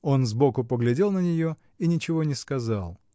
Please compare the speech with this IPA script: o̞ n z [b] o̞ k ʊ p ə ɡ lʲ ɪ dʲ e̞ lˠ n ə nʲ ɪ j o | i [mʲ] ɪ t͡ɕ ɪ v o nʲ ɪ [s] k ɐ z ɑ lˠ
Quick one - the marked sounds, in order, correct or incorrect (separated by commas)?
correct, incorrect, correct